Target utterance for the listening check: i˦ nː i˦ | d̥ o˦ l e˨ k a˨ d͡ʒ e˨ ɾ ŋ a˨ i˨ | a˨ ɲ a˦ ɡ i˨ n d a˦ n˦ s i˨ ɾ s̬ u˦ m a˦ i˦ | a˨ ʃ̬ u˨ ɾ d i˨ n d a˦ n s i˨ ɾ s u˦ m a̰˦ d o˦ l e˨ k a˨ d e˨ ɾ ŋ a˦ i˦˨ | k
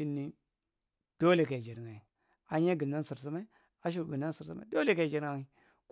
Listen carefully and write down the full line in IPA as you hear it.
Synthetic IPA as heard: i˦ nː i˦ | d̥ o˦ l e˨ k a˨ d͡ʒ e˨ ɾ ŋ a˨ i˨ | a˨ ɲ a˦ ɡ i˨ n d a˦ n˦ s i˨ ɾ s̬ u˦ m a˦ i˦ | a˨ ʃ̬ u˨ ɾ ɡ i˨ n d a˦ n s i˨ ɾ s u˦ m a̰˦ d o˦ l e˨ k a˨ d͡ʒ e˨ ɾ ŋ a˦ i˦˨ | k